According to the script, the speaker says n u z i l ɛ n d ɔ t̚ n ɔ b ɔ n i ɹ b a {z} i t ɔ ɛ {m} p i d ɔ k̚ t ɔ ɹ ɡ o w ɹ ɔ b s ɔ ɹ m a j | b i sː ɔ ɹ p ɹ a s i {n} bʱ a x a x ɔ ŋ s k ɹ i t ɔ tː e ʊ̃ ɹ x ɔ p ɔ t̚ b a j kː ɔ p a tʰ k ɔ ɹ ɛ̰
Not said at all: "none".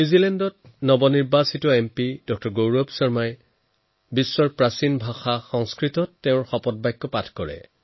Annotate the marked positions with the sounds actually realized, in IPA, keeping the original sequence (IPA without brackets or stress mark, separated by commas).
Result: s, m, n